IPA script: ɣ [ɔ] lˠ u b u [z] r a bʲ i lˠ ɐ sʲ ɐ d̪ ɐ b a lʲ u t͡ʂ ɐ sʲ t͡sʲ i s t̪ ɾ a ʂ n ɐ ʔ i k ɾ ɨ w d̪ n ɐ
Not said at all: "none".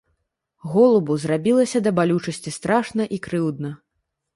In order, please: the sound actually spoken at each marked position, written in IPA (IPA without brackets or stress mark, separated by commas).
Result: ɔ, z